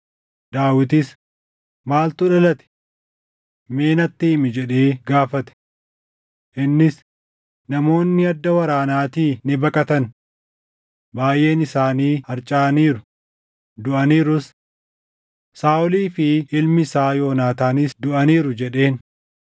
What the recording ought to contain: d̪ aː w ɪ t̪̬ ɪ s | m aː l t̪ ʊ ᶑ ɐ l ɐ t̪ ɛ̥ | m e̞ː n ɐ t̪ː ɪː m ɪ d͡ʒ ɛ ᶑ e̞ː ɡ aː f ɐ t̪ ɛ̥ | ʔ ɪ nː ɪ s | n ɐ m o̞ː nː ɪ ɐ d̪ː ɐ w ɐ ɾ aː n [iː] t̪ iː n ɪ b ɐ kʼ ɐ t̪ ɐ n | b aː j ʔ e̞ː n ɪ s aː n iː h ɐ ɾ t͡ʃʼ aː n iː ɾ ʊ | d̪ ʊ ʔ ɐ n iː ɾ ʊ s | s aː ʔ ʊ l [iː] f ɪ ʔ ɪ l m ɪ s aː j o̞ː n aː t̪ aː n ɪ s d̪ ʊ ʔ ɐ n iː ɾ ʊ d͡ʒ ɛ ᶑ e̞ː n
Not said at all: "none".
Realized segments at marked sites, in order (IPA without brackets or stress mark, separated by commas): aː, iː